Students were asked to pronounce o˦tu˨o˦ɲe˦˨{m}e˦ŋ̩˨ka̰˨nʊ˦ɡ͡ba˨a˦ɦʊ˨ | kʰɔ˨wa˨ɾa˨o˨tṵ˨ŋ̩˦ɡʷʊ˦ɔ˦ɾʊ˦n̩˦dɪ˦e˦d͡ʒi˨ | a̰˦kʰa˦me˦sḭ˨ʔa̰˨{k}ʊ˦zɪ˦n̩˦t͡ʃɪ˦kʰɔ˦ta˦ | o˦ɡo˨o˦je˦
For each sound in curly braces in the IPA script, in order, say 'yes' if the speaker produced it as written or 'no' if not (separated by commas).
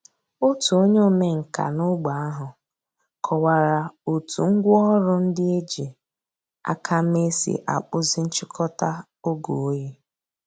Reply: yes, no